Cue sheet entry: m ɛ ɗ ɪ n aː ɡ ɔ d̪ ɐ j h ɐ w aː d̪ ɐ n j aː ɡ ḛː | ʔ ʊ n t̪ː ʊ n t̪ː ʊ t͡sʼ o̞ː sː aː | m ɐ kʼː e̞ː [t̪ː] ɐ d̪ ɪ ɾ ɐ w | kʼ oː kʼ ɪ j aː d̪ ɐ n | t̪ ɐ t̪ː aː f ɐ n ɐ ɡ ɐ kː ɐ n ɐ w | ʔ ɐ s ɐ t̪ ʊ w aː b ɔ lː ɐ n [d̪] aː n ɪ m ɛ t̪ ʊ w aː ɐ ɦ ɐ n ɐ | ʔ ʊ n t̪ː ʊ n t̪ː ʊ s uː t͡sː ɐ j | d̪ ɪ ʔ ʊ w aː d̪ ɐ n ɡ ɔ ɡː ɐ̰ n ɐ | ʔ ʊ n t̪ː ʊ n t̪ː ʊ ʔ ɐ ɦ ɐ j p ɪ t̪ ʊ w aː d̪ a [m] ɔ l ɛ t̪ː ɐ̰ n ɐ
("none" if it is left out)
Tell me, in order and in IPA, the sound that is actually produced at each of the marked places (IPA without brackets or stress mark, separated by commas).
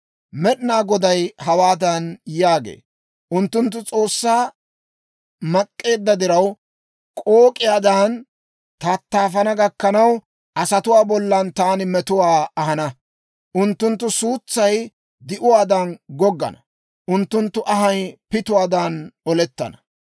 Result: d̪ː, t̪, n